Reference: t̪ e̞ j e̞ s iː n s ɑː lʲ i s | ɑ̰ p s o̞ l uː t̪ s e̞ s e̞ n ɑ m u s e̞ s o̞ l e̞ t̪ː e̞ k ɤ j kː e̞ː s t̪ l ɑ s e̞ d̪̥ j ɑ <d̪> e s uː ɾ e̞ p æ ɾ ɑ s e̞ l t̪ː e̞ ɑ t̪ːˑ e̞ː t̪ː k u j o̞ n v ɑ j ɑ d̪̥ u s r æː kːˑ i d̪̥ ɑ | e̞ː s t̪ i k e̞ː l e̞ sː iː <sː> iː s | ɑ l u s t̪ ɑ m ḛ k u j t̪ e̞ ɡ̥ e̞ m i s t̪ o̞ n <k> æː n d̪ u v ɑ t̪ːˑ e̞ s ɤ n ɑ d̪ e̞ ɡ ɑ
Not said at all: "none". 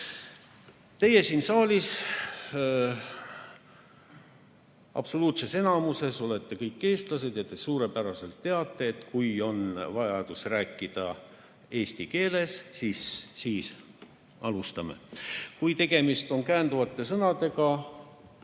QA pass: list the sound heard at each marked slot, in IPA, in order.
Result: t̪, sː, k

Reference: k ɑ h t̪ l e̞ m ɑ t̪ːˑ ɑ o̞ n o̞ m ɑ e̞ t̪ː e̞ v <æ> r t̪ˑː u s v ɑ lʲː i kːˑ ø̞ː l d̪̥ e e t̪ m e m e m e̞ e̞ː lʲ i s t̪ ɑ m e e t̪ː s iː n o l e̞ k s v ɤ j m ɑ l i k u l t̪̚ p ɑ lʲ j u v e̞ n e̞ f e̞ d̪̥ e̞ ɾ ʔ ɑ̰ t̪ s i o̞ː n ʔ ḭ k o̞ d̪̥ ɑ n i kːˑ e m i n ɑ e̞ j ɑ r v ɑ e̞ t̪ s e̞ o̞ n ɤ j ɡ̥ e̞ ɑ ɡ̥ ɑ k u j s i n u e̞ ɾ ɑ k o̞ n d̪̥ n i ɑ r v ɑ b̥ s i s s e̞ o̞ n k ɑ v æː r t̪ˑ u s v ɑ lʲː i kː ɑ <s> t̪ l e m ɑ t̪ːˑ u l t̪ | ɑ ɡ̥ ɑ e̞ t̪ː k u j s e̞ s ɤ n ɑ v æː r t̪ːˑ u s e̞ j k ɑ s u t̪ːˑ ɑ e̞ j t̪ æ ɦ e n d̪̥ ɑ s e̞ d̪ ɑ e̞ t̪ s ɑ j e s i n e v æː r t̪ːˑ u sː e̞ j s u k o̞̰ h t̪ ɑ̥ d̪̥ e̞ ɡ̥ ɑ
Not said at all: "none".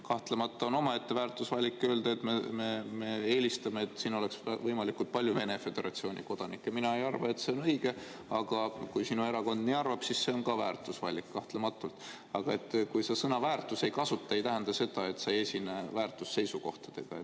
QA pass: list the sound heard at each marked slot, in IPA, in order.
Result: æː, h

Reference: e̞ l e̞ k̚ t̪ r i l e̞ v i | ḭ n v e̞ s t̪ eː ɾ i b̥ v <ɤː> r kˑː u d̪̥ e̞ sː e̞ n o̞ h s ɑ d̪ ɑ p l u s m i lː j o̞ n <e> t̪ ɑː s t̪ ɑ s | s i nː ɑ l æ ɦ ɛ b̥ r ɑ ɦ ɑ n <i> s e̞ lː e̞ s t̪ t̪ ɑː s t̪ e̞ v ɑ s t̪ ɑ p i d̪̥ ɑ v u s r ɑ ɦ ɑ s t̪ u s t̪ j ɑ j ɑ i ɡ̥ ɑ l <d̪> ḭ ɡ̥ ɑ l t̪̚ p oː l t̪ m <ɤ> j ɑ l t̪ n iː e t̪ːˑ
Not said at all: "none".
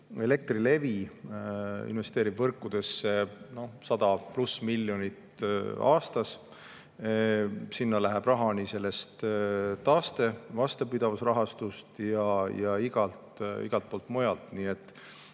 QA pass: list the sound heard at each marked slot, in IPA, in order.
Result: ɤ, i, i, t̪, o

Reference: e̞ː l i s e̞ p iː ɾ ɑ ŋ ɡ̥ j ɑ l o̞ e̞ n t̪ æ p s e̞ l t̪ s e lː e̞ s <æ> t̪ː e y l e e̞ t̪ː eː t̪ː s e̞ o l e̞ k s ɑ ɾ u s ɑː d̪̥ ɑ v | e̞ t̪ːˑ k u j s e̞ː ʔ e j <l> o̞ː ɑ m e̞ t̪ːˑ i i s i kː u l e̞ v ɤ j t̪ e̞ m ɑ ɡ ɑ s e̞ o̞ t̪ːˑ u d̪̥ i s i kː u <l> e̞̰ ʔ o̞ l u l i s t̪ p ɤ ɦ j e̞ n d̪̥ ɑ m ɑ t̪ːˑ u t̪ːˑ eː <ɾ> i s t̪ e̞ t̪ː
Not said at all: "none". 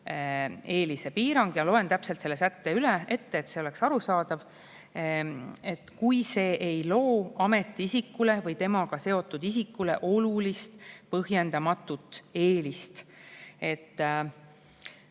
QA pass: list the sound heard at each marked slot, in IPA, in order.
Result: æ, l, l, l

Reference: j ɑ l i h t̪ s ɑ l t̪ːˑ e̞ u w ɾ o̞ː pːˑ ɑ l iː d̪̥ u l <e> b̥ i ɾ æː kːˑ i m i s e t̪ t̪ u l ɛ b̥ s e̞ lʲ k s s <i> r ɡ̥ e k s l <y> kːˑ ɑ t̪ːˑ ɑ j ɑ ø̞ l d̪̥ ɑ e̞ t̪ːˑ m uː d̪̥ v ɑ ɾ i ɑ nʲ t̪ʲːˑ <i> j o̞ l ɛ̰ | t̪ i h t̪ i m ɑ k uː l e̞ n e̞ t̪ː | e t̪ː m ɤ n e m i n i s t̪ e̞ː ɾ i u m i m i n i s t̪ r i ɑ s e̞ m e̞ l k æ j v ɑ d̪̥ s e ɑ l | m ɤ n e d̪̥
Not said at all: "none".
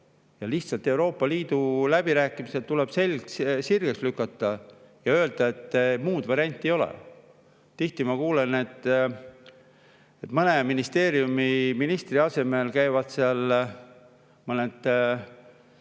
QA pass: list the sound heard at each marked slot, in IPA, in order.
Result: æ, i, y, e

